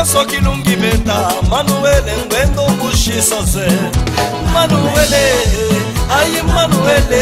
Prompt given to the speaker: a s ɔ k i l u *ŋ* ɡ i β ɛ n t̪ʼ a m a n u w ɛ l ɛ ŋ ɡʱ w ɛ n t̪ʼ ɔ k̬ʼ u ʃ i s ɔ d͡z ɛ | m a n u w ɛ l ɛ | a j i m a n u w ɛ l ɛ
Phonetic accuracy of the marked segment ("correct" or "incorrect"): correct